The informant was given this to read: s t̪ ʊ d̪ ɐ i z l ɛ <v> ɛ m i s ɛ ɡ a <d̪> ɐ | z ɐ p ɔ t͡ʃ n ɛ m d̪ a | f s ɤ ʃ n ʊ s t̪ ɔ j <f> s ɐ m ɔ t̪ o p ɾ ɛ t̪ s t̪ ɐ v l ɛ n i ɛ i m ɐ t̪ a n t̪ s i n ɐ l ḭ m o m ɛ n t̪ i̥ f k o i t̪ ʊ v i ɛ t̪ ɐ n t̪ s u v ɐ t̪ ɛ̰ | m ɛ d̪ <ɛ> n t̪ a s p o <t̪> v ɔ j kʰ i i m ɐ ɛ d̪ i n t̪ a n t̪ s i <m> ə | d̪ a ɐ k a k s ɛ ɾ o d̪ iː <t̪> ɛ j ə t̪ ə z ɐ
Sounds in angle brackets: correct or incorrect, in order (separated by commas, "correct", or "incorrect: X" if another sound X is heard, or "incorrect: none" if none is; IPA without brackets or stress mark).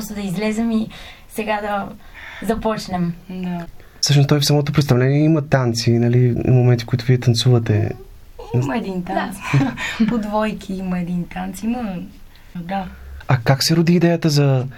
incorrect: z, correct, correct, incorrect: i, incorrect: d̪, correct, incorrect: d̪